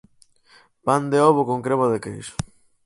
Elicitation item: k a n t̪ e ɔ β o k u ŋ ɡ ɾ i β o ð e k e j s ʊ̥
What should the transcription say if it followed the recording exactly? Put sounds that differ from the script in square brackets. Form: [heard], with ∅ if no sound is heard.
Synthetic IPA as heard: [p] a n [d̪] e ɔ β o k [o] ŋ [k] ɾ [e] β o ð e k e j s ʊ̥